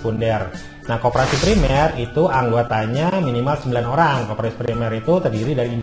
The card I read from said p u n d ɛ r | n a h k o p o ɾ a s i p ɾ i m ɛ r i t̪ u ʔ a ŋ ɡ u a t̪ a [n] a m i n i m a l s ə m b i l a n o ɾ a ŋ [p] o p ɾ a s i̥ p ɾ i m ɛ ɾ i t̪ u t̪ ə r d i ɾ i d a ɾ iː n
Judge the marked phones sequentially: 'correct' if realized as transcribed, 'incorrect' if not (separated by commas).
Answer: incorrect, incorrect